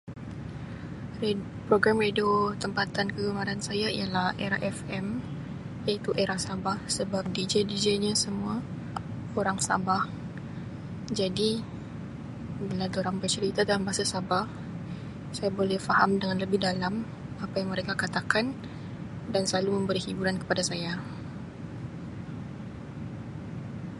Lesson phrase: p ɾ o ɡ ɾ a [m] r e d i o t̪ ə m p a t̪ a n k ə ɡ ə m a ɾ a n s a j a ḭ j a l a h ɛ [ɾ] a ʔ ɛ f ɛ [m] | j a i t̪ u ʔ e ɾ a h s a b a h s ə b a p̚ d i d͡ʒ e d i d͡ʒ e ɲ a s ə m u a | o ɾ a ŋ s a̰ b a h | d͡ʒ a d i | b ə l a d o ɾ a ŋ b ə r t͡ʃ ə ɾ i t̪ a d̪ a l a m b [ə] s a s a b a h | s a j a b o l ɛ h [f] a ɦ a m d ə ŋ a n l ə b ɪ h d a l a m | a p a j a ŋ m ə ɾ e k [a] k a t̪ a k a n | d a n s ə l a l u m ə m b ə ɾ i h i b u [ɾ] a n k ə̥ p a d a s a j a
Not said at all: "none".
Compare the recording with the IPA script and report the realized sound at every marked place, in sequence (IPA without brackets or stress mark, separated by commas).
m, ɾ, m, a, f, a, ɾ